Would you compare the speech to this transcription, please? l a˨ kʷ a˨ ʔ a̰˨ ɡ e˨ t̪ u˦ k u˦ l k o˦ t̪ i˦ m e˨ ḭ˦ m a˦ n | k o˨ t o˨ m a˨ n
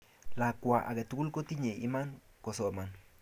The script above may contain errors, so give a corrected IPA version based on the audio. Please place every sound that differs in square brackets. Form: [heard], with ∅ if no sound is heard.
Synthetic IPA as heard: l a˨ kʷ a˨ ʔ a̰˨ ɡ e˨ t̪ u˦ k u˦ l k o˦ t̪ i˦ [ɲ] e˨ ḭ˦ m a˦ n | k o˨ [s] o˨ m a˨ n